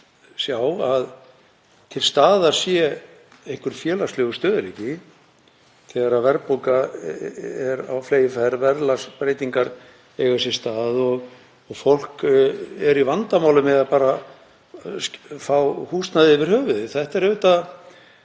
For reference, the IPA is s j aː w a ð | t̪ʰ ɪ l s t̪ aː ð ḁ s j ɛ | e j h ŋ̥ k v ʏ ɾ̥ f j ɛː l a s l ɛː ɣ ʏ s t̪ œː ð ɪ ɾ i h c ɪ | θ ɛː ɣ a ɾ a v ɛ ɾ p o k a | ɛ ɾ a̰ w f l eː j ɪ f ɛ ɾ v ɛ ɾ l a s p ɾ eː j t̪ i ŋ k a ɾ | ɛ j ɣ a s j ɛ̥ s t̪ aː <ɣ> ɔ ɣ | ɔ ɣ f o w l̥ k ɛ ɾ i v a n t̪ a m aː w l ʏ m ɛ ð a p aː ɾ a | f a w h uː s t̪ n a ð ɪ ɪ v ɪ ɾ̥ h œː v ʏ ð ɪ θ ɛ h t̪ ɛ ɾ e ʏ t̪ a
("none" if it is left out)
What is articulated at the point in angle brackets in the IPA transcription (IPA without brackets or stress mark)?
ð